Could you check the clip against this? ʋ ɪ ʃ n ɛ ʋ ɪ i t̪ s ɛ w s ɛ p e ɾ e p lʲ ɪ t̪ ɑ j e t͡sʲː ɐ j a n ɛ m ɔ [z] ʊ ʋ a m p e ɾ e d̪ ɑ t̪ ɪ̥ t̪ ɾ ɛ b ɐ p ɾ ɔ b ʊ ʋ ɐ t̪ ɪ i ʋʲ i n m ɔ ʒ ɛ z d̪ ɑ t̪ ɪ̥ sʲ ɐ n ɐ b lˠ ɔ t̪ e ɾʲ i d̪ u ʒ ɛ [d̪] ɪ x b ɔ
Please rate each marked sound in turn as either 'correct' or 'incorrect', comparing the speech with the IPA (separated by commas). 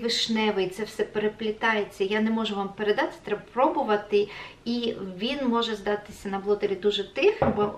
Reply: incorrect, incorrect